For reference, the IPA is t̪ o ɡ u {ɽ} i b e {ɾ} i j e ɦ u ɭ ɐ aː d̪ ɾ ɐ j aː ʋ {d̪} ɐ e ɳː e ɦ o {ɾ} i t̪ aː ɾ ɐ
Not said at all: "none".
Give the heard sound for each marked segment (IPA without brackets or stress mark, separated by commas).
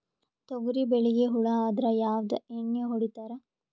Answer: ɾ, ɭ, d̪, ɽ